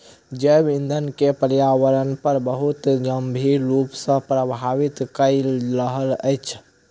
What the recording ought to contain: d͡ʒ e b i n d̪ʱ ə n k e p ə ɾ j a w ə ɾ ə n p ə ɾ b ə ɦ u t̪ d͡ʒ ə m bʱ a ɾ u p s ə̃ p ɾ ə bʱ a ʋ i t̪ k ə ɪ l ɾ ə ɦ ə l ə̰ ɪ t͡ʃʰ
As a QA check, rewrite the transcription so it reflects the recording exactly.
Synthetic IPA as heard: d͡ʒ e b i n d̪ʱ ə n k e p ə ɾ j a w ə ɾ ə n p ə ɾ b ə ɦ u t̪ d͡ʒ ə m bʱ i ɾ u p s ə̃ p ɾ ə bʱ a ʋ i t̪ k ə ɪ l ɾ ə ɦ ə l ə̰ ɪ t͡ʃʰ